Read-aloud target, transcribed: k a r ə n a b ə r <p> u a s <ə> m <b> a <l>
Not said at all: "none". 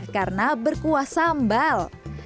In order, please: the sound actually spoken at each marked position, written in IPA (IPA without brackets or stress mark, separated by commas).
k, a, b, l